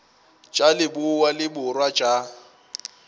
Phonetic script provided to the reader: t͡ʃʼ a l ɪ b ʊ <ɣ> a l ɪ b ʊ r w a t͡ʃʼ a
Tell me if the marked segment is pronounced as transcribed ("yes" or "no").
no